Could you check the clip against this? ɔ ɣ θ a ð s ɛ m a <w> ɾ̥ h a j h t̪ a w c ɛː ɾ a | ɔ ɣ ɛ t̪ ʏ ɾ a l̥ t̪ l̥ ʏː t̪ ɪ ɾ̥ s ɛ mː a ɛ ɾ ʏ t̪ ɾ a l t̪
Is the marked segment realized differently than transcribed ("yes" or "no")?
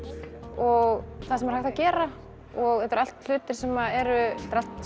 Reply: yes